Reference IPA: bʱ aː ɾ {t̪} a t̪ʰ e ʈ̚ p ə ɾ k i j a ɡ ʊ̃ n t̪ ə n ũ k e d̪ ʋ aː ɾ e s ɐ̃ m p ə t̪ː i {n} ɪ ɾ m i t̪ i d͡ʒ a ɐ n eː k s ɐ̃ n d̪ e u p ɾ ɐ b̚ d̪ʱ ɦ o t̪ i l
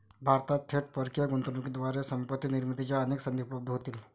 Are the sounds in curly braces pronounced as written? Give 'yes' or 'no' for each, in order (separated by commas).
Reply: yes, yes